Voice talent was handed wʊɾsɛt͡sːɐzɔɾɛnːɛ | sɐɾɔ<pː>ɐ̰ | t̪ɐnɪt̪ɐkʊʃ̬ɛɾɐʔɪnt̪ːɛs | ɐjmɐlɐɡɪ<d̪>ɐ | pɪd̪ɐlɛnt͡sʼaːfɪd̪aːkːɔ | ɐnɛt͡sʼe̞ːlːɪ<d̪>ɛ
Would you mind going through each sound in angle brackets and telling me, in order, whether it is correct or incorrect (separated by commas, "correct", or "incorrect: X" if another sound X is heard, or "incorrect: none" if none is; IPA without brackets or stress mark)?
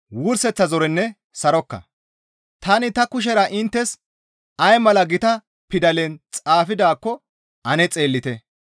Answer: incorrect: kː, incorrect: t̪, incorrect: t̪